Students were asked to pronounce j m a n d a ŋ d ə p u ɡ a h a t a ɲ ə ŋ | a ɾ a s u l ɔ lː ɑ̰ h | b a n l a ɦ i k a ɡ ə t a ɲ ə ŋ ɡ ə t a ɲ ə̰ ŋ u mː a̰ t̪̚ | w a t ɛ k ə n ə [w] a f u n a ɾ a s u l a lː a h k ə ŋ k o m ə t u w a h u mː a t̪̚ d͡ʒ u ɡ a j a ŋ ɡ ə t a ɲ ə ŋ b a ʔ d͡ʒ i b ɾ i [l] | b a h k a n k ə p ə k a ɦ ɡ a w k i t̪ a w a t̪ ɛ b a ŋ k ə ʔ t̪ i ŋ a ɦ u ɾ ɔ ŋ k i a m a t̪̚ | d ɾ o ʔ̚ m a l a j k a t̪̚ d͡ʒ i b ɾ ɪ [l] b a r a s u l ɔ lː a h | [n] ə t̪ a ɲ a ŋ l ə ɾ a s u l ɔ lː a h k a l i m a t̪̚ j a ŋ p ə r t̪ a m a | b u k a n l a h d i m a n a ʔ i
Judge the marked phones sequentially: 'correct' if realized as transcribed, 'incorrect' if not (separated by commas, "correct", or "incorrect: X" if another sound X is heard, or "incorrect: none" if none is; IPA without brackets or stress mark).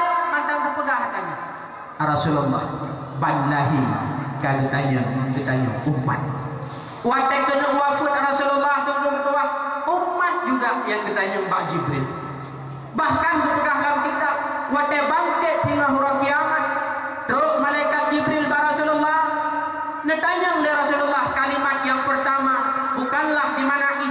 correct, correct, correct, correct